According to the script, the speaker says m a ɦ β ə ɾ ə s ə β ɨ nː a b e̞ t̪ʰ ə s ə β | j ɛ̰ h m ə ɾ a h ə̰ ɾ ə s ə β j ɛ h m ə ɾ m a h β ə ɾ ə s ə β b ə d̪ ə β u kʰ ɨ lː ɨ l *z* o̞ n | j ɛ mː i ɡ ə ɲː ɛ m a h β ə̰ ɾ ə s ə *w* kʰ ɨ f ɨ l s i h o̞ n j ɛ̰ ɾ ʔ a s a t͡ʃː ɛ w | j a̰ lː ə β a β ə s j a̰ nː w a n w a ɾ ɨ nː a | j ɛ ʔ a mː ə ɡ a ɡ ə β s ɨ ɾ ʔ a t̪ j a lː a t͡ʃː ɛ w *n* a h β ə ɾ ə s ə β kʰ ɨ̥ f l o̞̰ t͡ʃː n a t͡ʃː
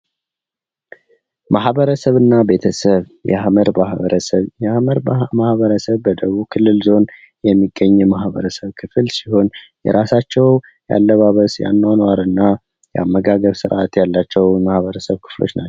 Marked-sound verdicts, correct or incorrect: correct, incorrect: β, incorrect: m

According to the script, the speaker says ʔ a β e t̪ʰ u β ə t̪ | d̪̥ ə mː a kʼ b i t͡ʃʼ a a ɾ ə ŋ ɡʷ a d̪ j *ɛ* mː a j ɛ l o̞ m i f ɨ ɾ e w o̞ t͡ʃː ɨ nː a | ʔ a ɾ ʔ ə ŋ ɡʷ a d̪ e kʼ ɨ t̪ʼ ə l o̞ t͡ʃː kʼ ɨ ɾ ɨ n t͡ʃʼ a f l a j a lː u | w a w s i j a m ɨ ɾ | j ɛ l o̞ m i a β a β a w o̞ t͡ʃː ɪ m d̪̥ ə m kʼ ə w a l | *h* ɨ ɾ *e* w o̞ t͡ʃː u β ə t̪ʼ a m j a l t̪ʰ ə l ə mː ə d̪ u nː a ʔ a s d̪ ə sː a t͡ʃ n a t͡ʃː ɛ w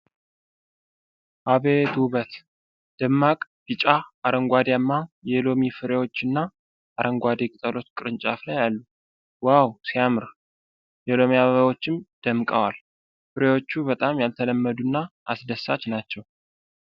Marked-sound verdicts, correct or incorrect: incorrect: a, incorrect: f, correct

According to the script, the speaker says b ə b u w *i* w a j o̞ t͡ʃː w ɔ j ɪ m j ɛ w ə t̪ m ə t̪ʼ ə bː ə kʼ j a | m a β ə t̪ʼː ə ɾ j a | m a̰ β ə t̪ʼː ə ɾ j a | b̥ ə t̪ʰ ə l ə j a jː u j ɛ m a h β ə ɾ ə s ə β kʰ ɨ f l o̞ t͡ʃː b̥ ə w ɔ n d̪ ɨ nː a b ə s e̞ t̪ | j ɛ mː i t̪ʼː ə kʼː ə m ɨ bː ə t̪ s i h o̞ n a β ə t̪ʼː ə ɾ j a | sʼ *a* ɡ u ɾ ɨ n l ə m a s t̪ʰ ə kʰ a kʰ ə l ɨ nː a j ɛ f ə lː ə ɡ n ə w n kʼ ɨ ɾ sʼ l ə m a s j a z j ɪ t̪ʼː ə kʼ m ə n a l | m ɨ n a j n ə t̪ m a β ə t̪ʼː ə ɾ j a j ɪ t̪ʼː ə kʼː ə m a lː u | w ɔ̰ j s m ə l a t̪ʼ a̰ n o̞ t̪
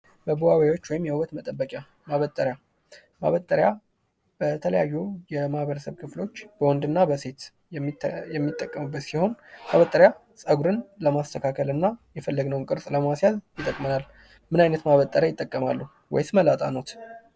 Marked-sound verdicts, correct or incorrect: incorrect: a, incorrect: ə

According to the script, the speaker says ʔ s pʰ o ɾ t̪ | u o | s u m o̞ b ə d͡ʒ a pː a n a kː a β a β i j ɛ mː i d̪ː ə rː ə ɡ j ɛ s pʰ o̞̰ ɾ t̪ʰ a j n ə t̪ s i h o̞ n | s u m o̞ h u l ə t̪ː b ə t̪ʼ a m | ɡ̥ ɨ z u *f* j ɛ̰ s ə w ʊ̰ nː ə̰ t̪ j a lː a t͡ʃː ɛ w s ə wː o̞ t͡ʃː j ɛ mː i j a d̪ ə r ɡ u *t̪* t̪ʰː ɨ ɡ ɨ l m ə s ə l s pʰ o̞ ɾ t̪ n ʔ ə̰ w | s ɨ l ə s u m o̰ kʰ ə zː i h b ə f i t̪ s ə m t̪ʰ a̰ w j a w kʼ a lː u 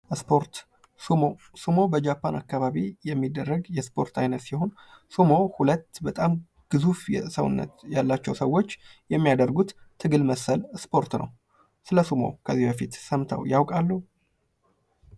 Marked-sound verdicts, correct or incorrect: correct, correct

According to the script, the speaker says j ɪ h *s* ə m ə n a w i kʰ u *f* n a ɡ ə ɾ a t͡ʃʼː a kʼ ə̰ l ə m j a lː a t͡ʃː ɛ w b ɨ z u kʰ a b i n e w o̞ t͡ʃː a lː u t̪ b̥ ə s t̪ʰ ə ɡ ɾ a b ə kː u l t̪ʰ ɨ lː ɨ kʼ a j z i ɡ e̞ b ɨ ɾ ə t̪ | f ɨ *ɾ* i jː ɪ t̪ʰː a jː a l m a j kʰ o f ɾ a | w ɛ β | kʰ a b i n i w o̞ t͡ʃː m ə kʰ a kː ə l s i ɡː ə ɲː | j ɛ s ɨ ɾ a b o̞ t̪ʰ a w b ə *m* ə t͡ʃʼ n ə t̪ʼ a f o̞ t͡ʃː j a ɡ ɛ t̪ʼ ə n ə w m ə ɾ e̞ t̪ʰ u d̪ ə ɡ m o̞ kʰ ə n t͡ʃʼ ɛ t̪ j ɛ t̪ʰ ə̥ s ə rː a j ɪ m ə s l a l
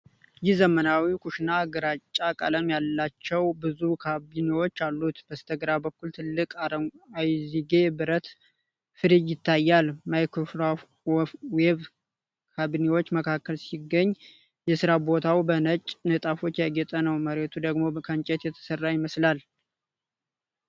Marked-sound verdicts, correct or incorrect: incorrect: z, incorrect: ʃ, correct, incorrect: n

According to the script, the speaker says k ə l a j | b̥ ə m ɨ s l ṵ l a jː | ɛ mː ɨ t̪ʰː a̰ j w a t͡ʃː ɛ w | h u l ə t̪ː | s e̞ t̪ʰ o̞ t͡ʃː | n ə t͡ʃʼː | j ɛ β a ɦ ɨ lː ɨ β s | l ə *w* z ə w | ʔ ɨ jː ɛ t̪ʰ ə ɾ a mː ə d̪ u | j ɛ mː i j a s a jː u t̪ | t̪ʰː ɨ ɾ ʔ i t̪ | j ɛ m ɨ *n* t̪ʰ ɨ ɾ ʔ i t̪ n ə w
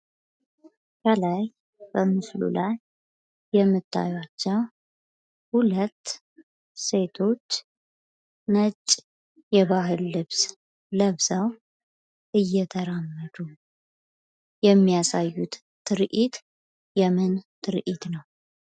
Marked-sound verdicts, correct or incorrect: incorrect: β, correct

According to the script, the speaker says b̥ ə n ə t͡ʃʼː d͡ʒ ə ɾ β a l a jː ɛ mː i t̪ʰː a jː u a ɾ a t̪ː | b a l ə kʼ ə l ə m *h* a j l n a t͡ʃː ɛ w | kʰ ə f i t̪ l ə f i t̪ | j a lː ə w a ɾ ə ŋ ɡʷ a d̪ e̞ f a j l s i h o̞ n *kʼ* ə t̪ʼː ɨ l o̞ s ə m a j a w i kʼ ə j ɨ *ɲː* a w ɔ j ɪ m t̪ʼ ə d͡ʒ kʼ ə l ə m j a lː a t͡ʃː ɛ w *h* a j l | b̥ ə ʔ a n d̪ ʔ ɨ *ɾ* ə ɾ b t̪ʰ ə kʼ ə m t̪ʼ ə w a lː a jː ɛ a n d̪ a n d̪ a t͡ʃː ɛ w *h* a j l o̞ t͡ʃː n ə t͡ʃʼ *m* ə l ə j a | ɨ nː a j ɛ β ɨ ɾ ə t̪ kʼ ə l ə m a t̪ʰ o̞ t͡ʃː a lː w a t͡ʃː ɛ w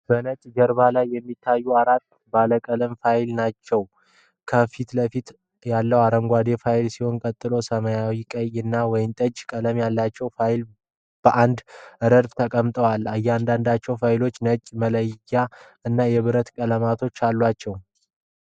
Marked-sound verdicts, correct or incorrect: incorrect: f, correct, incorrect: nː, incorrect: f, correct, incorrect: f, correct

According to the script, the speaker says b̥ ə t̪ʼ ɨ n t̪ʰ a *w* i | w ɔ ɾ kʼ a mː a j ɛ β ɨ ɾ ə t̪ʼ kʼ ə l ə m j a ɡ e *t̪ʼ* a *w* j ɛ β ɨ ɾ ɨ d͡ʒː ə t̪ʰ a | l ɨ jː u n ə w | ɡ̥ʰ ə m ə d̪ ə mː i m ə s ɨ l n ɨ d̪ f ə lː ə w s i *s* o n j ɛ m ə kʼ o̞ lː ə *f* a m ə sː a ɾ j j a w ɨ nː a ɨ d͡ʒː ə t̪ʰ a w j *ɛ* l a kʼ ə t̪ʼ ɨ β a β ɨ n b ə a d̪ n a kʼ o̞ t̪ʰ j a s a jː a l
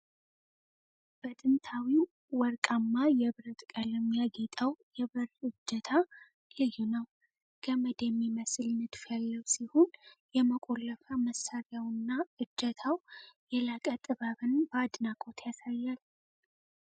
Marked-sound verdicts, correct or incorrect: correct, correct, correct, incorrect: h, correct, correct

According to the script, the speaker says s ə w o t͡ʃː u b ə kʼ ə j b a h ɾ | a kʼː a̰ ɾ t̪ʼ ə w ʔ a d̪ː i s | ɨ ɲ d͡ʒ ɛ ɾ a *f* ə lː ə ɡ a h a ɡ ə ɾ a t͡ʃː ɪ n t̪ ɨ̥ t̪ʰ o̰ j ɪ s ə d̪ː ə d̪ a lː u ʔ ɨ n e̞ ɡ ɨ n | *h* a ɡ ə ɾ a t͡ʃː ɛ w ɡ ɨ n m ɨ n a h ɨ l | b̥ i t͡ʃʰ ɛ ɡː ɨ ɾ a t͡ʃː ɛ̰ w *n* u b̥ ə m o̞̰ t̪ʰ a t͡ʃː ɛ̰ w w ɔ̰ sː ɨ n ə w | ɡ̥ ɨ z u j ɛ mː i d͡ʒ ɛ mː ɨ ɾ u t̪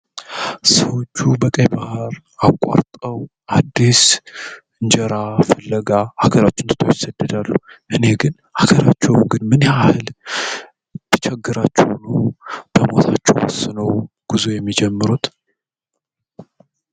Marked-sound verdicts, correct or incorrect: correct, correct, correct

